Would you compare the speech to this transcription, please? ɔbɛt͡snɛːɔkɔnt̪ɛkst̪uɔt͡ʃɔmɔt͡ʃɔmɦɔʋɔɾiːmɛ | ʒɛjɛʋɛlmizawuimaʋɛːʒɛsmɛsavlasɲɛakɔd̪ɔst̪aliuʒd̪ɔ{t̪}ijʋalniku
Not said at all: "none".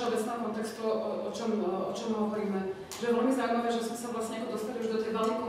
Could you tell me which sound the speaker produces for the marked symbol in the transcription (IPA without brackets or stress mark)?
t̪